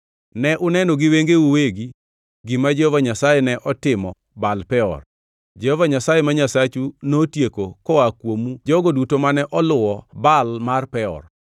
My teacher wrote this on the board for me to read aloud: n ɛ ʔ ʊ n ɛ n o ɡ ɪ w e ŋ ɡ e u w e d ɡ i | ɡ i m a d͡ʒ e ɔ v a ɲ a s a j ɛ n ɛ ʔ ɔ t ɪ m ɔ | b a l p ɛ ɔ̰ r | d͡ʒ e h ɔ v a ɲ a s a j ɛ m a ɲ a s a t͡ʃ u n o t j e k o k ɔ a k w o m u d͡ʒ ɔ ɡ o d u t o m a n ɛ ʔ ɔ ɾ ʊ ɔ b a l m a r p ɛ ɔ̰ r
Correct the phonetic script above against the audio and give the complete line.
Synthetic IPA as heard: n ɛ ʔ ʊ n ɛ n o ɡ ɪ w e ŋ ɡ e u w e ɡ i | ɡ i m a d͡ʒ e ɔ v a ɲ a s a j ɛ n ɛ ʔ ɔ t ɪ m ɔ | b a l p ɛ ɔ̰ r | d͡ʒ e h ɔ v a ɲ a s a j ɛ m a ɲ a s a t͡ʃ u n o t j e k o k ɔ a k w o m u d͡ʒ ɔ ɡ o d u t o m a n ɛ ʔ ɔ l ʊ ɔ b a l m a r p ɛ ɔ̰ r